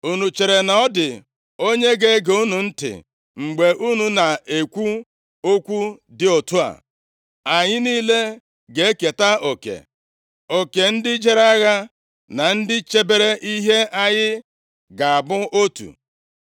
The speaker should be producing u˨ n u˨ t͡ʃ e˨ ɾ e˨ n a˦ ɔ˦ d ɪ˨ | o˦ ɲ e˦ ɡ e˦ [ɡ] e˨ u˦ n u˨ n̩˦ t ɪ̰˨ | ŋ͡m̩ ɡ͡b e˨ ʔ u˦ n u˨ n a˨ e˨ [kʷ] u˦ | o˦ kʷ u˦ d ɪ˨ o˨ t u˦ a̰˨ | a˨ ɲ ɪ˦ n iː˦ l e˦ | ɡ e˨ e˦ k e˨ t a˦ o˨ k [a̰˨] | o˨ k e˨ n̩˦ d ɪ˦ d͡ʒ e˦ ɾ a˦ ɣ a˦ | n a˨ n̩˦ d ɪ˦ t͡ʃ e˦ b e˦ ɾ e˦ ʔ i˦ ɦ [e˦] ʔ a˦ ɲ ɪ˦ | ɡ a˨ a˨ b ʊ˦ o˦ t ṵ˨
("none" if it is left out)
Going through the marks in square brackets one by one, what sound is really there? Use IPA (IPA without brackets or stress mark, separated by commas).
ɡ, kʷ, ḛ˨, e˦